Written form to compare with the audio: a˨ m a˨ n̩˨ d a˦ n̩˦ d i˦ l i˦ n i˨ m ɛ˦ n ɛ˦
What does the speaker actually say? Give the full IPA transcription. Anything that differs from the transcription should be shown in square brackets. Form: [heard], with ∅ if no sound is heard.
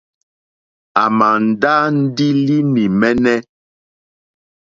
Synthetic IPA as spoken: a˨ m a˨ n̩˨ d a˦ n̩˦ d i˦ l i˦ n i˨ m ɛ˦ n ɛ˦